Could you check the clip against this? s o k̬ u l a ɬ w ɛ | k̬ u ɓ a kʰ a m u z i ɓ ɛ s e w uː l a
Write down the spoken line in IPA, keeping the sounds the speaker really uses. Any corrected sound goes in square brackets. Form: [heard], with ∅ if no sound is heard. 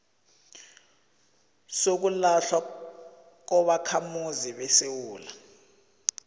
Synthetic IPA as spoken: s o k̬ u l a ɬ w [a] | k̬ [ɔ] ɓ a kʰ a m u z i ɓ ɛ s e w uː l a